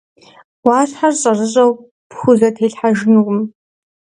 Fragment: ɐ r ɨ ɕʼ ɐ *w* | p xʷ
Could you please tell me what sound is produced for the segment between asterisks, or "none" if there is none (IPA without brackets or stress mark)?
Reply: w